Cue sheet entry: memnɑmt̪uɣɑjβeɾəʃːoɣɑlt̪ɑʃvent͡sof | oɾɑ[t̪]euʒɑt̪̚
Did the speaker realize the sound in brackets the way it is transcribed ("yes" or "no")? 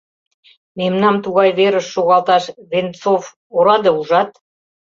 no